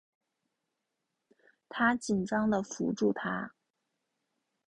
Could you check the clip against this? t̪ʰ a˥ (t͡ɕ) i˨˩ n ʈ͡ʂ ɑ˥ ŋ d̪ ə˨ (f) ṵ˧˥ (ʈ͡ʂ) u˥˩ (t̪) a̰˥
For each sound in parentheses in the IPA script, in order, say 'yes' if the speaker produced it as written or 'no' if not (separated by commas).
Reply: yes, yes, yes, no